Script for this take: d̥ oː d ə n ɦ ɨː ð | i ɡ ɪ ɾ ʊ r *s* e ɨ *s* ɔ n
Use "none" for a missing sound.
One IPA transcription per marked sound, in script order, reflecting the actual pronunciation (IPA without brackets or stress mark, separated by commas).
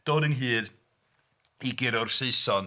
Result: s, s